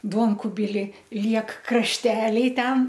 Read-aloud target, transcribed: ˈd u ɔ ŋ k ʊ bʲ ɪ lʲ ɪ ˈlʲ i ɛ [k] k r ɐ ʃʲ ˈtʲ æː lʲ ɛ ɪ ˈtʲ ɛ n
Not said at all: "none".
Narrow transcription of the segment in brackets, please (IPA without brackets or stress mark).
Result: k